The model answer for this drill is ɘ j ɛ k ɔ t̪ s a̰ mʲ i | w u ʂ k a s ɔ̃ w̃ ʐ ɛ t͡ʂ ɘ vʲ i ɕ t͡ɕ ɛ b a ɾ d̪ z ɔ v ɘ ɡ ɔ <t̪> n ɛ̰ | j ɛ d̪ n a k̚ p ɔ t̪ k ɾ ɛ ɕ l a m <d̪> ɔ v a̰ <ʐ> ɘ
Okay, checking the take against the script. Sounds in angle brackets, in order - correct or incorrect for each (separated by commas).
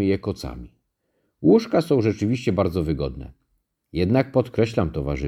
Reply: incorrect, incorrect, correct